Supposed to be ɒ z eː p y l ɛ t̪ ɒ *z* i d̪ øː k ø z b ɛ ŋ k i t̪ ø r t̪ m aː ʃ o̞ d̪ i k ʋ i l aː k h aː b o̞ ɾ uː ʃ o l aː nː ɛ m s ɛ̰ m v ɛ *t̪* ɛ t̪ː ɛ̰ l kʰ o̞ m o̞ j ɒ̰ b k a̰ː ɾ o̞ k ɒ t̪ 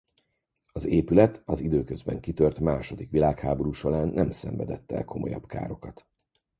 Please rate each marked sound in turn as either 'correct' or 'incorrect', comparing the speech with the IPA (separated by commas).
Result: correct, incorrect